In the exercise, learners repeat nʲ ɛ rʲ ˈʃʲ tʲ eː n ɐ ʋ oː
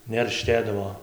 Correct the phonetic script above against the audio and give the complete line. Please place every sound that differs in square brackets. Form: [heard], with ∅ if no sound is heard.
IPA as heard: nʲ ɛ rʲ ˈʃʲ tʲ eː [d] ɐ ʋ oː